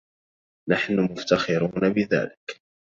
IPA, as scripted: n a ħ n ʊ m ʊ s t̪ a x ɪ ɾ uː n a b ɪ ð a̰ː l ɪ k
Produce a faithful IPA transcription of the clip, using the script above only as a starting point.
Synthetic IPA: n a ħ n ʊ m ʊ f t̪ a x ɪ ɾ uː n a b ɪ ð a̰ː l ɪ k